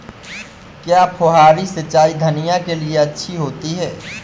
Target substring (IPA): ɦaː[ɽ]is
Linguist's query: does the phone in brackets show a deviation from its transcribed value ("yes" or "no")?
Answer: yes